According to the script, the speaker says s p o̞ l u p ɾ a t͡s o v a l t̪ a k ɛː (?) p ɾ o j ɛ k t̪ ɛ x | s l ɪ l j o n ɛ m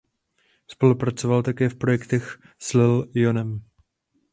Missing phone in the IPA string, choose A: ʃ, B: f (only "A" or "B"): B